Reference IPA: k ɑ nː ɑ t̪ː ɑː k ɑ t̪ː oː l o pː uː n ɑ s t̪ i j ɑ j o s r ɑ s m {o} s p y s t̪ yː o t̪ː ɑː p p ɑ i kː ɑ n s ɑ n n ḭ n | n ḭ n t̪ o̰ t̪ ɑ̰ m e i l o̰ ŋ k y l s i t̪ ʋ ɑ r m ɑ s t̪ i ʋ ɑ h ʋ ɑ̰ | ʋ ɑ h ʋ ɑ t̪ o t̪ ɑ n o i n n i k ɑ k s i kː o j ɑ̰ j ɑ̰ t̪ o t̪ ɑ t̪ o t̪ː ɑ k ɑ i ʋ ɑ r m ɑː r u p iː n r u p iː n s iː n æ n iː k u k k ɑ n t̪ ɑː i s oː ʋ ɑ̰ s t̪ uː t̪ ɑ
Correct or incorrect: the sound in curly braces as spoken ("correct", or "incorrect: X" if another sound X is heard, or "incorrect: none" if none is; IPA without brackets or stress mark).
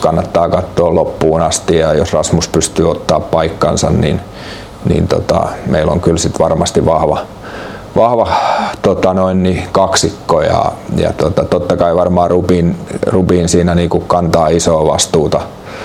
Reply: incorrect: u